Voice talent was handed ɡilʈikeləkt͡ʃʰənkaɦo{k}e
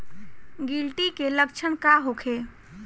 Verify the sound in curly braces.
incorrect: kʰ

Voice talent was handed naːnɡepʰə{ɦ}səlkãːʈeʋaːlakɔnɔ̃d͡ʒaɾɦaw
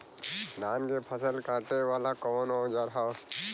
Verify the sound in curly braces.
incorrect: none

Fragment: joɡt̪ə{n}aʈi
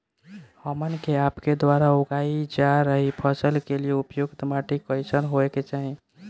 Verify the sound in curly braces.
incorrect: m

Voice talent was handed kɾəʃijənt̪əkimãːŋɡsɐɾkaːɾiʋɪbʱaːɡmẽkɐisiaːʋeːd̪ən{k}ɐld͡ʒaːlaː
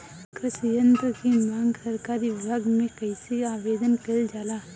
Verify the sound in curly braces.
correct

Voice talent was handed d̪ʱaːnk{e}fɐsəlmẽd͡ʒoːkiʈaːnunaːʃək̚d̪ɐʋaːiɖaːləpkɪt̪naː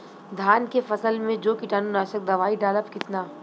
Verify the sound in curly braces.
correct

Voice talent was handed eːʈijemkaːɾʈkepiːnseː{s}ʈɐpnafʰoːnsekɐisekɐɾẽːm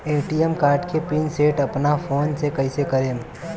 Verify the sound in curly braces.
incorrect: none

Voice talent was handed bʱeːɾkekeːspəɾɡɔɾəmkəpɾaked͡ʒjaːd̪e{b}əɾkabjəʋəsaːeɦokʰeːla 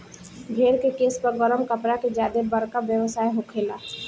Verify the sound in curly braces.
correct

